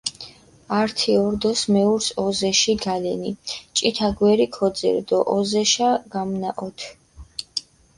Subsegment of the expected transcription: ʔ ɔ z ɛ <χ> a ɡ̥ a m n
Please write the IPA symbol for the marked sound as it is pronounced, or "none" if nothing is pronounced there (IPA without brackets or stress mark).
ʃ